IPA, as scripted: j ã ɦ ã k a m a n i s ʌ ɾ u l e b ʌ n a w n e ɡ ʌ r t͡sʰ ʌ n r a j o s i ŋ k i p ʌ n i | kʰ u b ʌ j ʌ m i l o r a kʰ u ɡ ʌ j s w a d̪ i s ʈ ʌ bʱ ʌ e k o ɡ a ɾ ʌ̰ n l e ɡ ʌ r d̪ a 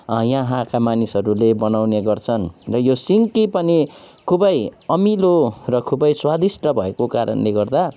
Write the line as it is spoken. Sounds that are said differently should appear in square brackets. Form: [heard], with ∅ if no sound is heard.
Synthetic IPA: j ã ɦ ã k a m a n i s ʌ ɾ u l e b ʌ n a w n e ɡ ʌ r t͡sʰ ʌ n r [ʌ] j o s i ŋ k i p ʌ n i | kʰ u b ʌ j ʌ m i l o r [ʌ] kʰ u [b] ʌ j s w a d̪ i s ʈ ʌ bʱ ʌ e k o [k] a ɾ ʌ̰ n l e ɡ ʌ r d̪ a